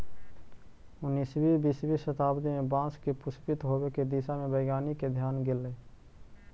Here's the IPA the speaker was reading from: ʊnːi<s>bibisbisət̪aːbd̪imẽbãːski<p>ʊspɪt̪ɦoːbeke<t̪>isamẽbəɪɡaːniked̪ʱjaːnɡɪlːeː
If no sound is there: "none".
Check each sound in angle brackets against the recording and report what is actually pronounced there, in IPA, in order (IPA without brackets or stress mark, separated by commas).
s, p, d̪